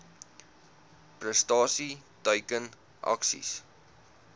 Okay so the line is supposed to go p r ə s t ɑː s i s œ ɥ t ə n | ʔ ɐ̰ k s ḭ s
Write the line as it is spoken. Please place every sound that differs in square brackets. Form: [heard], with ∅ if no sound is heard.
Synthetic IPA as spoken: p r ə s t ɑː s i [t] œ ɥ [k] ə n | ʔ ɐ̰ k s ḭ s